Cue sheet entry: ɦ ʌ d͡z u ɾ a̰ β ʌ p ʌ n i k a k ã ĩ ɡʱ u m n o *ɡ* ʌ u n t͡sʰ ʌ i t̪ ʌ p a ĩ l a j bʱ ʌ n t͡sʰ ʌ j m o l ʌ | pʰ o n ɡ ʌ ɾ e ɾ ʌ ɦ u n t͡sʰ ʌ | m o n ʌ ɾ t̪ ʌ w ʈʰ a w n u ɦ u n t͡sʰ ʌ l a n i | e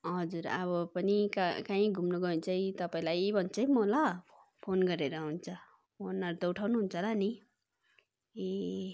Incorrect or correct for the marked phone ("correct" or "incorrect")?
correct